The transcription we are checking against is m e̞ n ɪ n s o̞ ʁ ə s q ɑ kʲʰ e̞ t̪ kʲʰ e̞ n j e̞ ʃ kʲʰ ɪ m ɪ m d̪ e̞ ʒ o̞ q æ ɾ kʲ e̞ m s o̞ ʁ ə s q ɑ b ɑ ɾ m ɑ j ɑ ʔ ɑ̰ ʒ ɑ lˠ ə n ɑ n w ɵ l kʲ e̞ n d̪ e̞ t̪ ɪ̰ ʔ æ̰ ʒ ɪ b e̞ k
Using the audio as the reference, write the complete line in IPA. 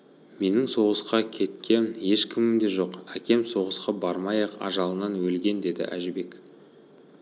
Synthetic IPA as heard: m e̞ n ɪ ŋ s o̞ ʁ ə s q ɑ kʲʰ e̞ t̪ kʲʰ e̞ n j e̞ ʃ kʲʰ ɪ m ɪ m d̪ e̞ ʒ o̞ q æ kʲ e̞ m s o̞ ʁ ə s q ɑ b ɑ ɾ m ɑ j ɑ q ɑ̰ ʒ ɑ lˠ ə n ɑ n w ɵ l ɡʲ e̞ n d̪ e̞ d̪ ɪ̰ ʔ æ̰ ʒ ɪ b e̞ k